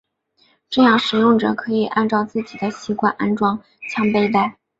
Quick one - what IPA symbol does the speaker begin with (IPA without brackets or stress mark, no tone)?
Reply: ʈ͡ʂ